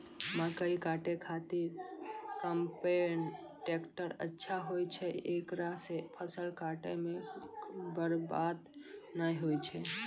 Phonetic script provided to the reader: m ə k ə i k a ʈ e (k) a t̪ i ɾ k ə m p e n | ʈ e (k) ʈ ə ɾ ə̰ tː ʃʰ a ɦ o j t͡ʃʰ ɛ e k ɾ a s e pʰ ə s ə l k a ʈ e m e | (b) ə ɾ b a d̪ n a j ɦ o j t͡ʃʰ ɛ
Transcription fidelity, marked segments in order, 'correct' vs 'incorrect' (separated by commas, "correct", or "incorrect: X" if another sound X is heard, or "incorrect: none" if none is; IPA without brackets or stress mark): incorrect: kʰ, correct, correct